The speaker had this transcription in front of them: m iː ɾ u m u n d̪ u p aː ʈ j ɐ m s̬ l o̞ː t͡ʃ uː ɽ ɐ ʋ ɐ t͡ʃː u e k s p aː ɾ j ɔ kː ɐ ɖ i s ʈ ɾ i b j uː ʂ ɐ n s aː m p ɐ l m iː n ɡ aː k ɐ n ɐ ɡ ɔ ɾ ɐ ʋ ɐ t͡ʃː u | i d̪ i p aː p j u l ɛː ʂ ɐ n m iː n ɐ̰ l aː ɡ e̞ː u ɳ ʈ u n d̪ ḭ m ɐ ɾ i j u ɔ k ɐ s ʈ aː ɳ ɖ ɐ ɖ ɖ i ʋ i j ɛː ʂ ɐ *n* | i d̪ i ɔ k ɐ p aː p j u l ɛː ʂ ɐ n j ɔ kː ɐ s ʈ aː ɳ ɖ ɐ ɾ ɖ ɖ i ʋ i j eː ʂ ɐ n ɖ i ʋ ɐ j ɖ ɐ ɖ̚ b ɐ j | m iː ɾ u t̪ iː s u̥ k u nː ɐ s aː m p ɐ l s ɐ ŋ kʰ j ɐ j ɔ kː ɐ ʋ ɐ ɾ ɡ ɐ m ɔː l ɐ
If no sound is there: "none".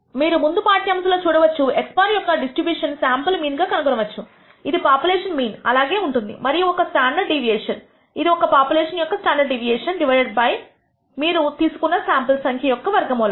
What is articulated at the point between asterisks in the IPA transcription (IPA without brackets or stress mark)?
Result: n